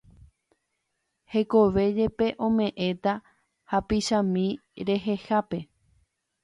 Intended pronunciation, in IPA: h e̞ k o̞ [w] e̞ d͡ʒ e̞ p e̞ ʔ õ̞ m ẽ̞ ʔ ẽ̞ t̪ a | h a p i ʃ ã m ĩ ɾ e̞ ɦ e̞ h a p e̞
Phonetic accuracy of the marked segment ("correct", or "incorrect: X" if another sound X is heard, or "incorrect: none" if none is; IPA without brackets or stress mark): incorrect: ʋ